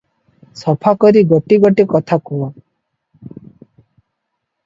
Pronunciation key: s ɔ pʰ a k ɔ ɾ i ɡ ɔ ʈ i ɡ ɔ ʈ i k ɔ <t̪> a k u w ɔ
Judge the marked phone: incorrect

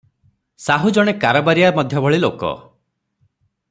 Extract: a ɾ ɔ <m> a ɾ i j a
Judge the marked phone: incorrect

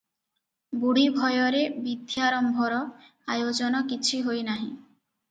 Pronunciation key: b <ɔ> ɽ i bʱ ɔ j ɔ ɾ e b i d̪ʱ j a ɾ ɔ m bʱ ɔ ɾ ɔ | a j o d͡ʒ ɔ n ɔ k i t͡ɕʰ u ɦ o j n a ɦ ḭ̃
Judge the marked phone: incorrect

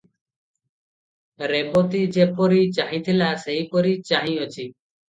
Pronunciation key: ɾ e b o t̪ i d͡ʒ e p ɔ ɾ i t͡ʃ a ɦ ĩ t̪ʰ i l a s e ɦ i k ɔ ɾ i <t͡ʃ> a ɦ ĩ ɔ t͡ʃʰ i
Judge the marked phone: correct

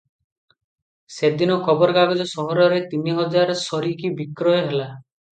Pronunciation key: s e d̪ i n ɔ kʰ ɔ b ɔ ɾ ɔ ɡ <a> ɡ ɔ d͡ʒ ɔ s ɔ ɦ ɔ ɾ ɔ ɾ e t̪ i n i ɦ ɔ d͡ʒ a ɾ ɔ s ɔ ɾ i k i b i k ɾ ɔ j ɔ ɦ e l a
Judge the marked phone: correct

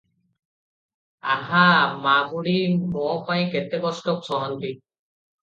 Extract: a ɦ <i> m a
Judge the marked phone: incorrect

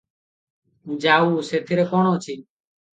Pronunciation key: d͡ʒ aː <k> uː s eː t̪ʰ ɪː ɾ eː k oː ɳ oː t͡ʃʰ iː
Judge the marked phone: incorrect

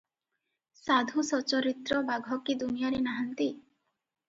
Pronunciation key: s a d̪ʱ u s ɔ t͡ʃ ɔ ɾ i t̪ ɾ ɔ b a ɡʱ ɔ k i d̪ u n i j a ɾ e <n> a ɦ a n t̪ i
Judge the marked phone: correct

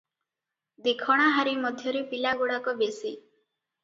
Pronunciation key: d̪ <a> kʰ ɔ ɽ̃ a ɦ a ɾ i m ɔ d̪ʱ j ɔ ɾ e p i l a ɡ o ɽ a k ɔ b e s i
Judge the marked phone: incorrect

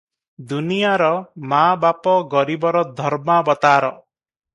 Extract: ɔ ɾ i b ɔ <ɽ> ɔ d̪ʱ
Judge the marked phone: incorrect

